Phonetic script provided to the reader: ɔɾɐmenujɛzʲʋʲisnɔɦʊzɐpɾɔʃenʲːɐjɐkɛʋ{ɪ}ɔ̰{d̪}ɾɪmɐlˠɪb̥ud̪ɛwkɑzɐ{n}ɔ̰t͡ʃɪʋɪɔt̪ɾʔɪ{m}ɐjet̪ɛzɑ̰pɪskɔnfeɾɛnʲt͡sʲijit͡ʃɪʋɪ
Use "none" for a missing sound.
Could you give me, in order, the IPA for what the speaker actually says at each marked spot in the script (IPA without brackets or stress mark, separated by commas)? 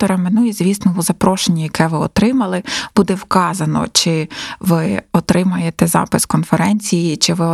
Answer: ɪ, t̪, n, m